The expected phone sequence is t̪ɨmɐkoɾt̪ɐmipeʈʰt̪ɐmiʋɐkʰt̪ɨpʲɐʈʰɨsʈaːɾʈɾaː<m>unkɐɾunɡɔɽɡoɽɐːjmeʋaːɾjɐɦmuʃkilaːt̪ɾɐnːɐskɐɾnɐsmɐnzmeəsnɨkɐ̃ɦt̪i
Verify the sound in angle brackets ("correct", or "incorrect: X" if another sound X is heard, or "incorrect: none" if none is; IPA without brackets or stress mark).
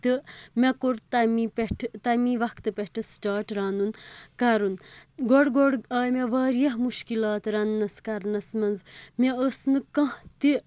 incorrect: n